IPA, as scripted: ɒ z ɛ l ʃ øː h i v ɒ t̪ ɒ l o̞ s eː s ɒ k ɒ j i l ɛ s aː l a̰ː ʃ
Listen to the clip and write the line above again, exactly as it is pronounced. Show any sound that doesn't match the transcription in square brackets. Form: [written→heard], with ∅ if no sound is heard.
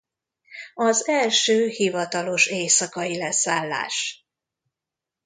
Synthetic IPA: ɒ z ɛ l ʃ øː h i v ɒ t̪ ɒ l o̞ [s→ʃ] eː s ɒ k ɒ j i l ɛ s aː [l→lː] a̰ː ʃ